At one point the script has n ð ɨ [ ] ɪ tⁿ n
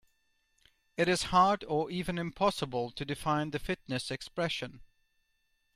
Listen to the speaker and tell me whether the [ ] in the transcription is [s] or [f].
f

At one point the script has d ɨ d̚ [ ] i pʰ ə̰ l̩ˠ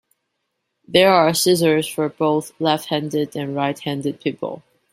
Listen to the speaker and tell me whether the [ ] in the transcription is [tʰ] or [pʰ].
pʰ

